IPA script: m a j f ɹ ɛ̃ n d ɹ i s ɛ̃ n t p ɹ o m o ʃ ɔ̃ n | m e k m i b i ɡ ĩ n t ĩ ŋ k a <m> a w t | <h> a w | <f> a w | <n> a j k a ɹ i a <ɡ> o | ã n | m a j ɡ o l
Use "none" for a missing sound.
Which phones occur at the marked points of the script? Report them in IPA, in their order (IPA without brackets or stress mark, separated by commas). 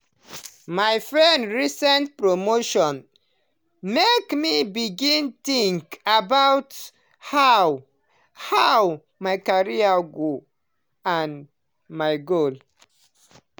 b, h, h, m, ɡ